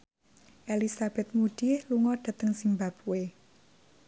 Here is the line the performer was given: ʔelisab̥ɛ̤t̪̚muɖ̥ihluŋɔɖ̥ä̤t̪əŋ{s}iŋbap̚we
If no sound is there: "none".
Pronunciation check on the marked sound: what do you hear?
s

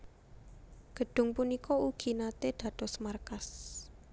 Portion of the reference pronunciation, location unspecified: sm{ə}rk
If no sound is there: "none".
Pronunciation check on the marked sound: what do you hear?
a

